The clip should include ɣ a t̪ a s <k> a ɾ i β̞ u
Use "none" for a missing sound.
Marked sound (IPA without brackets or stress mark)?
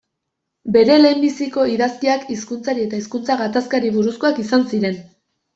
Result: k